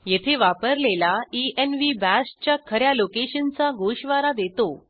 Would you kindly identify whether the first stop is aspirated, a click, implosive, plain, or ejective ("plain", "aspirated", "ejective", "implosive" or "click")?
aspirated